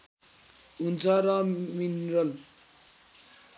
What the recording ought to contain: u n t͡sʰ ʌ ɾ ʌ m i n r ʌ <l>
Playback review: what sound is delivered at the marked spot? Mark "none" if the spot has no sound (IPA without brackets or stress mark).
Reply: l